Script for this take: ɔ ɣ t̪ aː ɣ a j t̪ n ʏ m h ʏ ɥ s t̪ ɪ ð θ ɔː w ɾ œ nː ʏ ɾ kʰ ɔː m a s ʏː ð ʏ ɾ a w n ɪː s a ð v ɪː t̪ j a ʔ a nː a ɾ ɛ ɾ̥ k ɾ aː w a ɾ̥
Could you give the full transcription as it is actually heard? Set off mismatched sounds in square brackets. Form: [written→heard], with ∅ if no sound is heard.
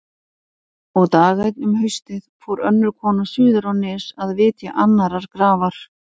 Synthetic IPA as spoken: ɔ ɣ t̪ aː ɣ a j t̪ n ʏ m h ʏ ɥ s t̪ ɪ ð [θ→f] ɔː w ɾ œ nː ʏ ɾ kʰ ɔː [m→n] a s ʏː ð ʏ ɾ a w n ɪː s a ð v ɪː t̪ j a ʔ a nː a ɾ [ɛ→a] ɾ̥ k ɾ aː [w→v] a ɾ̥